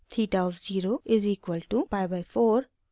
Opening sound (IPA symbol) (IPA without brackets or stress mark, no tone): t̪ʰ